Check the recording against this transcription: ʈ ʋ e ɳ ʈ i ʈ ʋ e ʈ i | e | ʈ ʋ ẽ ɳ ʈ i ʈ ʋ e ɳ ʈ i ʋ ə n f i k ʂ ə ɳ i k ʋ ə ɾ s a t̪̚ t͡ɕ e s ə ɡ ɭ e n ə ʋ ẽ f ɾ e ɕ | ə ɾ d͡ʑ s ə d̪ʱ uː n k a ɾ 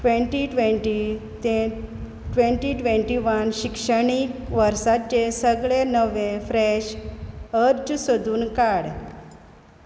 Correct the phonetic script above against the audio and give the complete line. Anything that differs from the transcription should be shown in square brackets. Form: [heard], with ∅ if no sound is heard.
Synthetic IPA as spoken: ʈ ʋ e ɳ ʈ i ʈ ʋ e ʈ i | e | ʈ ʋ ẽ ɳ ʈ i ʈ ʋ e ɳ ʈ i ʋ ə n [ɕ] i k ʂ ə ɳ i k ʋ ə ɾ s a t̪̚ t͡ɕ e s ə ɡ ɭ e n ə ʋ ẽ f ɾ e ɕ | ə ɾ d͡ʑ s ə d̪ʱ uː n k a [ɽ]